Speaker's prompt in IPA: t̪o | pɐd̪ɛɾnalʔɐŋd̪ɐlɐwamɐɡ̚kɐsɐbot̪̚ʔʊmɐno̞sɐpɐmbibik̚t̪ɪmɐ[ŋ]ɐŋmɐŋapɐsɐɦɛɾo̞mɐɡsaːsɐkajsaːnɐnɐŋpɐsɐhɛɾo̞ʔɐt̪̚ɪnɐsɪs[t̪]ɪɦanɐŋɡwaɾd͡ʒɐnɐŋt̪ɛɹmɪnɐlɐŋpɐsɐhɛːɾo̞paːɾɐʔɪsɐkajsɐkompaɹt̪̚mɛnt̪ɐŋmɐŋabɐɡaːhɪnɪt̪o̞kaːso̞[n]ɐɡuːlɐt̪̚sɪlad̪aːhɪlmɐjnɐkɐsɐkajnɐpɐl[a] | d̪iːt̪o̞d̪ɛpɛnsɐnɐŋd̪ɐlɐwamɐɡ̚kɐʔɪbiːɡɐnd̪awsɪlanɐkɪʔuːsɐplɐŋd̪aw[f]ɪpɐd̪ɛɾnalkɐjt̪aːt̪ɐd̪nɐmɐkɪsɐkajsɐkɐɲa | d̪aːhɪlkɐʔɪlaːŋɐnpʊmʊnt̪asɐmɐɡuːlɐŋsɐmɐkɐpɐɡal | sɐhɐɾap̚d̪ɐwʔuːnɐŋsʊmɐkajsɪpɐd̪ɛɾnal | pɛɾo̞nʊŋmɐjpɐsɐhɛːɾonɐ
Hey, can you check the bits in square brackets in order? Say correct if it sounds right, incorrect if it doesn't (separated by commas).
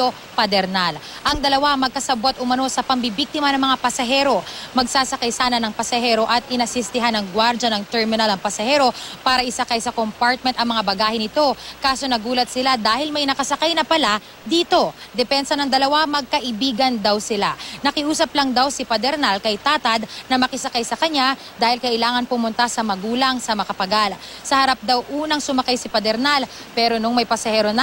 incorrect, correct, correct, correct, incorrect